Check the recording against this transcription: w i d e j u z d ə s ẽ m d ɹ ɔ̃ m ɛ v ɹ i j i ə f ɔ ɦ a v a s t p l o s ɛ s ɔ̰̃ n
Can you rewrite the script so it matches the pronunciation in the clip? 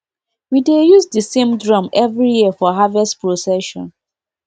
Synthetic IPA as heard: w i d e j u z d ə s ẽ m d ɹ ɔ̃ m ɛ v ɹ i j i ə f ɔ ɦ a v ɛ s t p ɹ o s ɛ ʃ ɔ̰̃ n